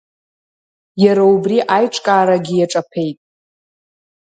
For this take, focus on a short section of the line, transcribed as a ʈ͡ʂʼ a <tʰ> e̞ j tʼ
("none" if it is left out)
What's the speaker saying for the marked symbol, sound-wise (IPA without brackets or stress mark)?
pʰ